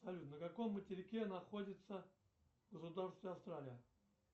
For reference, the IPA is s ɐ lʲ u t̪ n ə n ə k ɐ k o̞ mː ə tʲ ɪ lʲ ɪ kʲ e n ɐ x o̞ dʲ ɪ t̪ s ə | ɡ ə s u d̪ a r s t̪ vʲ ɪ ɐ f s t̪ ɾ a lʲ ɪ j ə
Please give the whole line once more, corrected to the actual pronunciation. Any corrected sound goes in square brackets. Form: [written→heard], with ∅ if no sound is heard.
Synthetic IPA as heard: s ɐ lʲ u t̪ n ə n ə k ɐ k o̞ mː ə tʲ ɪ [lʲ→ɾʲ] ɪ kʲ e n ɐ x o̞ dʲ ɪ t̪ s ə | ɡ ə s [u→ʊ] d̪ a r s t̪ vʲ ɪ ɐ f s t̪ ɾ a lʲ ɪ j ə